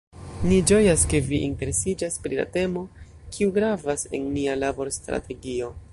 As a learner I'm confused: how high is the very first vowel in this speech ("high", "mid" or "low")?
high